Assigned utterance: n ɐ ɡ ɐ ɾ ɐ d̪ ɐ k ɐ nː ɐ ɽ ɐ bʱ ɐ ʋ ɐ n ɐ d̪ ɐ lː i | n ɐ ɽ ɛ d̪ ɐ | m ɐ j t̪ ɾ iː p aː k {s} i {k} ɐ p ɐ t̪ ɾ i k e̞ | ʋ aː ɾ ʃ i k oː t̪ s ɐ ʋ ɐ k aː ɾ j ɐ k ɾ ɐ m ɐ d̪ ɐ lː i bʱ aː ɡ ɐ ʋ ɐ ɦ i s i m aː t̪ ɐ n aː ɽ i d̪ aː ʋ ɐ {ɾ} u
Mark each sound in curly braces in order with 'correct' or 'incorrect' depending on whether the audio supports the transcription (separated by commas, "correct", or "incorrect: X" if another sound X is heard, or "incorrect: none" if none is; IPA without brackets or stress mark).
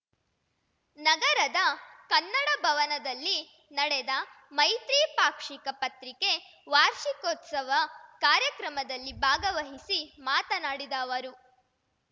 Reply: incorrect: ʂ, correct, correct